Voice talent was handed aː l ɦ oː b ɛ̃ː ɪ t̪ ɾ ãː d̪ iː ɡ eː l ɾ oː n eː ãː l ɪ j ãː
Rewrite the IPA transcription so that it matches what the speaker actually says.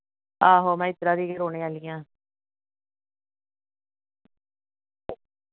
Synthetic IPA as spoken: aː ɦ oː m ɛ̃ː ɪ t̪ ɾ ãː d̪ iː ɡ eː ɾ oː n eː aː l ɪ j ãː